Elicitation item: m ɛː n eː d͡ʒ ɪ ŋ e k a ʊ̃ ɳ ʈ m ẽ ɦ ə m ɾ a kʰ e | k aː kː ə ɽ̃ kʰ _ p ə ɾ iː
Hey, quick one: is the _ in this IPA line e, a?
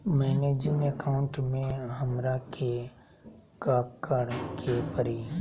e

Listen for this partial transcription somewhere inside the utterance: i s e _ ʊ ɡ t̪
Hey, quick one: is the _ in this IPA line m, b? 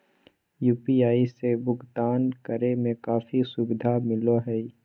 b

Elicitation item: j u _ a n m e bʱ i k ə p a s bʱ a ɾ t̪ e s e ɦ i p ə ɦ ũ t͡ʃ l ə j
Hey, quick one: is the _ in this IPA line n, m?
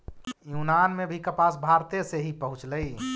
n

